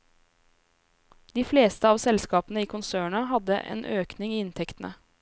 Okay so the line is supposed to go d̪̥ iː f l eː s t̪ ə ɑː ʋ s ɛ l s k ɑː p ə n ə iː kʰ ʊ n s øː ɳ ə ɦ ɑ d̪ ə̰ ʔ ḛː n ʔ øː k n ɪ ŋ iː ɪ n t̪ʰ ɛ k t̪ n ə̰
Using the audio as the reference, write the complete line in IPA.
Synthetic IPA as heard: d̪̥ iː f l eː s t̪ ə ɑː ʋ s ɛ l s k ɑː p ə n ə iː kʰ ʊ n s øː ɳ ɑ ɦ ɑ d̪ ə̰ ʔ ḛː n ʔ øː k n ɪ ŋ iː ɪ n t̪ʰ ɛ k t̪ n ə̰